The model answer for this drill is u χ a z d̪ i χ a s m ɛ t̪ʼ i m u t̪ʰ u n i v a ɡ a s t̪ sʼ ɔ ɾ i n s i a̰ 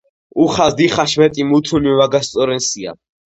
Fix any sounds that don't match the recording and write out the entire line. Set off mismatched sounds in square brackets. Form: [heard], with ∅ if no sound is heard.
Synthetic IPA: u χ a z d̪ i χ a [ʃ] m ɛ t̪ʼ i m u t̪ʰ u n i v a ɡ a s t̪ sʼ ɔ ɾ [ɛ] n s i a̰